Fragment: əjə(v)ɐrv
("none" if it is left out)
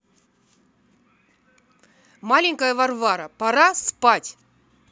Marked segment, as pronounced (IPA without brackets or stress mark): v